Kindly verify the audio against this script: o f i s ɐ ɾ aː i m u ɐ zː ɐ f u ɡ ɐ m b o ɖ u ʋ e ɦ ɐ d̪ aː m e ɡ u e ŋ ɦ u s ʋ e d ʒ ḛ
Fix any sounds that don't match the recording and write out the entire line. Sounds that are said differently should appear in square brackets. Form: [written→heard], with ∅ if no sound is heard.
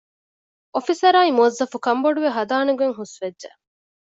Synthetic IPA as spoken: o f i s ɐ ɾ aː i m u ɐ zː ɐ f u [ɡ→k] ɐ m b o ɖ u ʋ e ɦ ɐ d̪ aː [m→n] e ɡ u e ŋ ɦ u s ʋ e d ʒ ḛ